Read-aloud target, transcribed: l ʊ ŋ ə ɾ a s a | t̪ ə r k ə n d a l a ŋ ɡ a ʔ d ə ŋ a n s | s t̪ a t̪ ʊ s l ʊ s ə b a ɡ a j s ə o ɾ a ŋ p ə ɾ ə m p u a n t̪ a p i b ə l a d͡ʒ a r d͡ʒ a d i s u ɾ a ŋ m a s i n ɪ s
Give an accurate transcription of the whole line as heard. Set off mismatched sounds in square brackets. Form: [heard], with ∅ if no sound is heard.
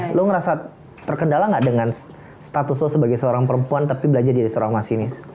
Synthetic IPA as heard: l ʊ ŋ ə ɾ a s a | t̪ ə r k ə n d a l a ŋ ɡ a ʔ d ə ŋ a n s | s t̪ a t̪ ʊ s l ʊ s ə b a ɡ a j s ə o ɾ a ŋ p ə ɾ ə m p u a n t̪ a p i b ə l a d͡ʒ a r d͡ʒ a d i s [o] ɾ a ŋ m a s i n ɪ s